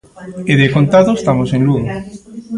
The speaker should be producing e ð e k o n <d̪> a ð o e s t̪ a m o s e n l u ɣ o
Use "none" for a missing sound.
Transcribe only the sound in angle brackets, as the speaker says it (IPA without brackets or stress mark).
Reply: t̪